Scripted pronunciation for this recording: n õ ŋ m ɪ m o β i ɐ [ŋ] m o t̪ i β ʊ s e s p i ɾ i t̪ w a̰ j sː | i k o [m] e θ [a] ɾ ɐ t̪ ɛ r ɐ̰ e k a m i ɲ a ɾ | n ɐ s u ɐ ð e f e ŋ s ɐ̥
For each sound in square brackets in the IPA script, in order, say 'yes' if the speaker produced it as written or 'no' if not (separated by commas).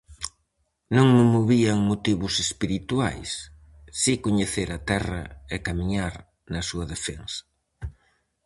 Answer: yes, no, no